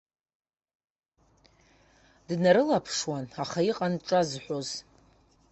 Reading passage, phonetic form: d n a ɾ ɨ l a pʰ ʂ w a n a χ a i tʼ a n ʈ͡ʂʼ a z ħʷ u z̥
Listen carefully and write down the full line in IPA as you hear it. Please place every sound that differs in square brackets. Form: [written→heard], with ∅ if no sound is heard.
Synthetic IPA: d n a ɾ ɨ l a pʰ ʂ w a n a χ a i [tʼ→qʼ] a n ʈ͡ʂʼ a z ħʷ [u→o] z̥